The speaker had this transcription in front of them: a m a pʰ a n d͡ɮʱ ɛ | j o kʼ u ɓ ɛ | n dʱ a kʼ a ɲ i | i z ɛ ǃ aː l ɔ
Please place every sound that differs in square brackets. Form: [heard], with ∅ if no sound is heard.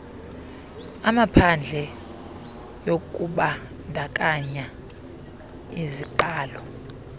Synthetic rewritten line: a m a pʰ a n d͡ɮʱ ɛ | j o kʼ u ɓ [a] | n dʱ a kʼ a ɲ [a] | i z [i] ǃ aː l ɔ